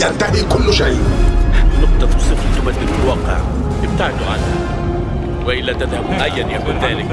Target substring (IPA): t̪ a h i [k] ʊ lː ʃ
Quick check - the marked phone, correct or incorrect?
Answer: correct